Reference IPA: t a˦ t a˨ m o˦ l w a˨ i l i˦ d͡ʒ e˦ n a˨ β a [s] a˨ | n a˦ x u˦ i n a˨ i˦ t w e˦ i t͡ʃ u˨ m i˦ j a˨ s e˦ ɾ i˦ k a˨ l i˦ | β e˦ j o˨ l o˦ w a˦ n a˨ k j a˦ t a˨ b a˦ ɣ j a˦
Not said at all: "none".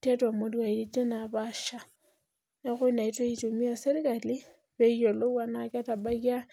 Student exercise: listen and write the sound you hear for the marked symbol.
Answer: ʃ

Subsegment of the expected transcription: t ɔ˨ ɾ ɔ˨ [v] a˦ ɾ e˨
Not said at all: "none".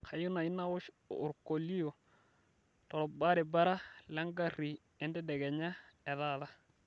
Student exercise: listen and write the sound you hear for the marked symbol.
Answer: b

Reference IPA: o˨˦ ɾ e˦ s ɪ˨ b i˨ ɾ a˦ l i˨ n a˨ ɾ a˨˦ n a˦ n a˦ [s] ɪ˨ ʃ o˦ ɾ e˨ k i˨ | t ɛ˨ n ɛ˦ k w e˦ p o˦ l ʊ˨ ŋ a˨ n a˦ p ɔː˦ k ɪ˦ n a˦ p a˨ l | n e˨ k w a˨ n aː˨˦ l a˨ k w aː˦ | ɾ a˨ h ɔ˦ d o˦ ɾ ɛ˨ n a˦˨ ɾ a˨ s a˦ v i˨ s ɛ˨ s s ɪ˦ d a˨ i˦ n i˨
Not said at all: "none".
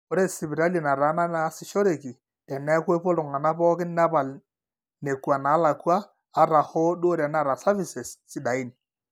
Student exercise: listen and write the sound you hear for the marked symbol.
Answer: s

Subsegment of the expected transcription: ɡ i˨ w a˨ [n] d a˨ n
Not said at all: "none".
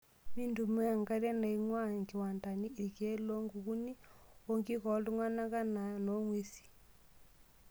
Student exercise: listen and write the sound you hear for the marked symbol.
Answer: n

